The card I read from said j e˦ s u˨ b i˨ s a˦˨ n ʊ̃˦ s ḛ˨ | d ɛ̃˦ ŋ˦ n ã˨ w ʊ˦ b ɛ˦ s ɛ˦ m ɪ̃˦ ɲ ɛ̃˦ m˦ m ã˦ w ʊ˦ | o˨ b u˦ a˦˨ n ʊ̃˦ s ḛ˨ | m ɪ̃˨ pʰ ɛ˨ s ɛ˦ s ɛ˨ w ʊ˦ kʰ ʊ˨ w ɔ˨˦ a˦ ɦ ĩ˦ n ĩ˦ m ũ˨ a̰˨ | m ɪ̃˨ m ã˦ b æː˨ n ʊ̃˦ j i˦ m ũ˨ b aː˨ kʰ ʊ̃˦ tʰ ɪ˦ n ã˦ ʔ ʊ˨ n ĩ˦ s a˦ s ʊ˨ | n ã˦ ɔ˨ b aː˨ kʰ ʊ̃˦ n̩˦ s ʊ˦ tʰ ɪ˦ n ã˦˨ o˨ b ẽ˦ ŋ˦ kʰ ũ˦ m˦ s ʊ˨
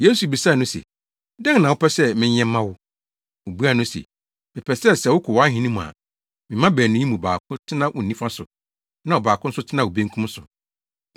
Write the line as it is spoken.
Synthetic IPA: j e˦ s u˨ b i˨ s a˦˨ n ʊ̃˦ s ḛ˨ | d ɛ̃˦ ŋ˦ n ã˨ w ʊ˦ p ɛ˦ s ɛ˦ m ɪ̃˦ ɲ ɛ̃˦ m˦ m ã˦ w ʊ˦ | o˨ b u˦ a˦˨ n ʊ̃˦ s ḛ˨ | m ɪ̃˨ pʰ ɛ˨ s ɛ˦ s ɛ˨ w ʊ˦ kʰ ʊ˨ w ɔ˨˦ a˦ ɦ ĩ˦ n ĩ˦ m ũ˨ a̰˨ | m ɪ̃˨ m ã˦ b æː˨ n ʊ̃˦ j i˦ m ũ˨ b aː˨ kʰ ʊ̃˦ tʰ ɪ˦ n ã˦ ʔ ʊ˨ n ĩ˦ f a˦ s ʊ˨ | n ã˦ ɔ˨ b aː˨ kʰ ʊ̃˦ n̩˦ s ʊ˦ tʰ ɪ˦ n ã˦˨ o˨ b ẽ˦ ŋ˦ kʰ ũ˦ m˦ s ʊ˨